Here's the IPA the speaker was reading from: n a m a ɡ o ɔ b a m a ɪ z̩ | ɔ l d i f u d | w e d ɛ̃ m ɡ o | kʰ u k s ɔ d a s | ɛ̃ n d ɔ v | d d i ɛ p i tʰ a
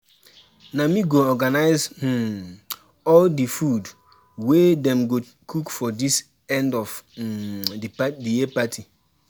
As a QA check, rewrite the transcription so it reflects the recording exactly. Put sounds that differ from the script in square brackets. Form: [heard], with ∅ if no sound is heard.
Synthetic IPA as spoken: n a m [i] ɡ o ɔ [ɡ] a [n] a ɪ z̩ | ɔ l d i f u d | w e d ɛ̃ m ɡ o | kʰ u k [f] ɔ d [i] s | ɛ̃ n d ɔ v | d d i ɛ p [a] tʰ [i]